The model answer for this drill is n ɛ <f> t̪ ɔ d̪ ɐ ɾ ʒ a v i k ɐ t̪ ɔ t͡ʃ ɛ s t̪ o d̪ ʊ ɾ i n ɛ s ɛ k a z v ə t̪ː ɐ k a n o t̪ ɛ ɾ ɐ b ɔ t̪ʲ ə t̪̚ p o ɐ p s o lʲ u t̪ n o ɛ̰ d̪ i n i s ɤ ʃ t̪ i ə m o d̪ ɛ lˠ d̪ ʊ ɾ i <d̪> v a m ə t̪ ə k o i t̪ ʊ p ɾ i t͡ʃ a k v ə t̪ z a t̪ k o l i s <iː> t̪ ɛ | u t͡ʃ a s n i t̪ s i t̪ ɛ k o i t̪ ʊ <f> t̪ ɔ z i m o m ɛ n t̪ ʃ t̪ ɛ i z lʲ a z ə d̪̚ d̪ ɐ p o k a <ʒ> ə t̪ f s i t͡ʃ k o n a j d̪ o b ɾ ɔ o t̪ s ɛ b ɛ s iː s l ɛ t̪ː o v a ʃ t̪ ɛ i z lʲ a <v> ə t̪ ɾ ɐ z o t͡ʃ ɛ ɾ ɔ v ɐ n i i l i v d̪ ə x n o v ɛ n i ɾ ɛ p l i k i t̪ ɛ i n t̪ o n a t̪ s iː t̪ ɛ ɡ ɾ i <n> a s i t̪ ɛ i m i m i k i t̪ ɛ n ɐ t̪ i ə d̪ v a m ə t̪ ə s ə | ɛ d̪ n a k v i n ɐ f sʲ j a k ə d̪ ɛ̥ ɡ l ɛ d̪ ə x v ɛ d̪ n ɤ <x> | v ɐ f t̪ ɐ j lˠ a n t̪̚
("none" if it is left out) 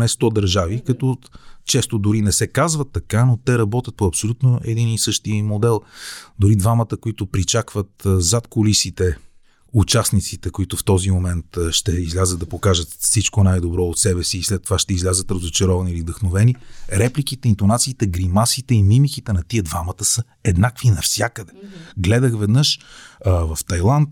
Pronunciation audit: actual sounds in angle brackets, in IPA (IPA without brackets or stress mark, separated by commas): s, d̪, i, f, ʒ, z, m, ʃ